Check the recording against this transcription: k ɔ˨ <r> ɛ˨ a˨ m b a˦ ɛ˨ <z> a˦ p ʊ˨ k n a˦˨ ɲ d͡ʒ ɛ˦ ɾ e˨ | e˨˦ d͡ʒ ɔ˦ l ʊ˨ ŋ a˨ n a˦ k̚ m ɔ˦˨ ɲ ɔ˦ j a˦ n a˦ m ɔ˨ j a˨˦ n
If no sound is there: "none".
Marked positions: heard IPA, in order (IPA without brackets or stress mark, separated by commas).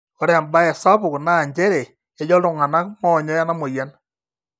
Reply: ɾ, s